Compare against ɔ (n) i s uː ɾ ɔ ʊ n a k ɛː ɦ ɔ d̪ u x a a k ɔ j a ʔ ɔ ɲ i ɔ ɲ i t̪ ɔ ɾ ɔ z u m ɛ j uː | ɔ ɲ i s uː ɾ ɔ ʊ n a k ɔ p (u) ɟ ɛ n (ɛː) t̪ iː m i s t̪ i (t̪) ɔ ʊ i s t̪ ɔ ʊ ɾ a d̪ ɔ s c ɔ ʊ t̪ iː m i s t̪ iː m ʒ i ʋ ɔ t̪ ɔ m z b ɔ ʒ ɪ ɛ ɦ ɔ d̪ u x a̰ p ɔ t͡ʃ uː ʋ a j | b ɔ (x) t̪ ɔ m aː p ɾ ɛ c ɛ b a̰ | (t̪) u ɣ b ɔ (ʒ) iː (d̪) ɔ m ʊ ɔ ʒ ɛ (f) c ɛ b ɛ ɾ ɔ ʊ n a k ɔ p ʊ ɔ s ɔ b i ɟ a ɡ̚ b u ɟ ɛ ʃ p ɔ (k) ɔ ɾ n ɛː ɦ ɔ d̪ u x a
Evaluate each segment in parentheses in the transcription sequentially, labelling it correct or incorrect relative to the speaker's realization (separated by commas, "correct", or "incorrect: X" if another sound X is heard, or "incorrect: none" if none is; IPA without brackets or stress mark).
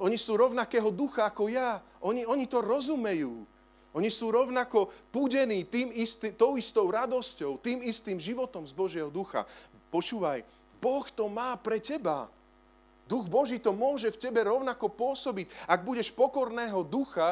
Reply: incorrect: ɲ, correct, incorrect: iː, correct, correct, incorrect: d̪, correct, incorrect: t̪, correct, correct